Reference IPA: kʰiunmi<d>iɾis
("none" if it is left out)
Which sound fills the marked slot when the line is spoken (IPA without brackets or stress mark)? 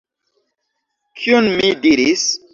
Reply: d